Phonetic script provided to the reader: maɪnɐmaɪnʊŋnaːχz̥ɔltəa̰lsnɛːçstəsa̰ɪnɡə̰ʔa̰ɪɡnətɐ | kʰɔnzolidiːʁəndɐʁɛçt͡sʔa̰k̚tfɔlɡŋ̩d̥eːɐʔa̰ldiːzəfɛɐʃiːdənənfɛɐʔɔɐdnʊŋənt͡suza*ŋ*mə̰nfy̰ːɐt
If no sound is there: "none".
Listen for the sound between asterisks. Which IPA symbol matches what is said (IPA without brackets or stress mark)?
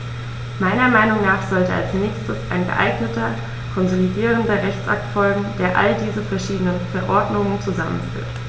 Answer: none